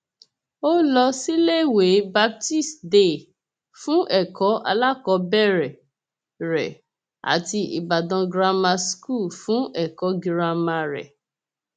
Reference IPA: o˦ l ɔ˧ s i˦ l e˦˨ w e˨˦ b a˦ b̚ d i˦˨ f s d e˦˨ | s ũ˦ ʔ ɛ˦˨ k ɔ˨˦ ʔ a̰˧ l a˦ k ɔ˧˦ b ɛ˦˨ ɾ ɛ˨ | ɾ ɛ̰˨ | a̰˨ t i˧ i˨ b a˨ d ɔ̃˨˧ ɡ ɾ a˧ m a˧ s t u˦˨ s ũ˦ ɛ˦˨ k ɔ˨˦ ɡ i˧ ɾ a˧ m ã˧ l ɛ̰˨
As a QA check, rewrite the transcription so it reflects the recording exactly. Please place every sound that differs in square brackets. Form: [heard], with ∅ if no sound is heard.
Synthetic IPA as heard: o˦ l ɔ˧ s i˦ l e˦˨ w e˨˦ b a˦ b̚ [t] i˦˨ [∅] s d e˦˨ | [f] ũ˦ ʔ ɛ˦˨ k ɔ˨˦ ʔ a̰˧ l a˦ k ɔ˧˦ b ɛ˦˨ ɾ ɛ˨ | ɾ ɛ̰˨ | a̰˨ t i˧ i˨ b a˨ d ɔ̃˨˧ ɡ ɾ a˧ m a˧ s [k] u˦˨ [f] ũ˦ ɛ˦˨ k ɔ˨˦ ɡ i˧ ɾ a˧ m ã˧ [ɾ] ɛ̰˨